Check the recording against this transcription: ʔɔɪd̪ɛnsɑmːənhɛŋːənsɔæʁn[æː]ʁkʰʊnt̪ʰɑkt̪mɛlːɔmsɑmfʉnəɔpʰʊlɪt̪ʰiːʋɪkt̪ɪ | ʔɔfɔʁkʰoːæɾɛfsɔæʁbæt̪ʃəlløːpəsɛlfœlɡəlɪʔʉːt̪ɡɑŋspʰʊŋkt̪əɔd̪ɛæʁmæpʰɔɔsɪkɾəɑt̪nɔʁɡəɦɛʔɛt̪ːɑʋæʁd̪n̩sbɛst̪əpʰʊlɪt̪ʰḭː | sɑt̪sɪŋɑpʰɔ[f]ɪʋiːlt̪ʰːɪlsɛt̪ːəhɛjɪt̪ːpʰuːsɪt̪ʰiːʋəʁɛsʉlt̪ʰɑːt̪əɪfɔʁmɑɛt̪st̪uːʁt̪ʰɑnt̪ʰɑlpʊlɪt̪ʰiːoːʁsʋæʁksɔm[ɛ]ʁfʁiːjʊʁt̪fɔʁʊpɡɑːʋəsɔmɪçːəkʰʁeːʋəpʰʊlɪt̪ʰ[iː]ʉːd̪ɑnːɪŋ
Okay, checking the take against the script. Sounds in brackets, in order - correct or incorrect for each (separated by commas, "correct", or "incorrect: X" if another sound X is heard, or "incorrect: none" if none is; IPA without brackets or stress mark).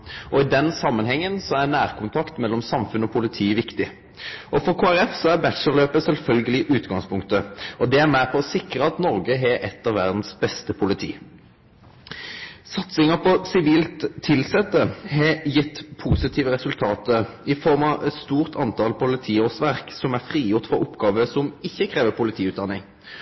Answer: correct, incorrect: s, incorrect: æ, correct